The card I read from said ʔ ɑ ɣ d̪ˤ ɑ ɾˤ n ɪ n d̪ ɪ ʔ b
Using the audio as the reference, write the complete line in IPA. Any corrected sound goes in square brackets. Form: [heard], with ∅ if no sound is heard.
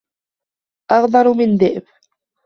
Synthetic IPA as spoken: ʔ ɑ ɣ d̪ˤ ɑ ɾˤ [m] ɪ n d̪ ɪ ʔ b